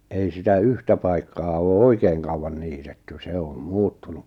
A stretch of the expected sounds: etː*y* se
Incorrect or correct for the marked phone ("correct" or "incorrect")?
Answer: correct